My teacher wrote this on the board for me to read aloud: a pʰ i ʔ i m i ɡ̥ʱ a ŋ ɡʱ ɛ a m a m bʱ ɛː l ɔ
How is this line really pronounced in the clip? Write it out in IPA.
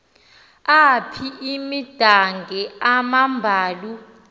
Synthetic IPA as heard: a pʰ i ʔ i m i d̥ʱ a ŋ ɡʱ ɛ a m a m bʱ aː l u